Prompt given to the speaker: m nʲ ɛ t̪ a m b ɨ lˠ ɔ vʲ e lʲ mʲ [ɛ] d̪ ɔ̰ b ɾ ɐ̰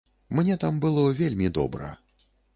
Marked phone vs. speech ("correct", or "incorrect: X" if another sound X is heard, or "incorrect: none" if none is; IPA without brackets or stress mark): incorrect: i